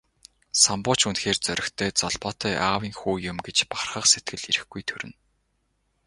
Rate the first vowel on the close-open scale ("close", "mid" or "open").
open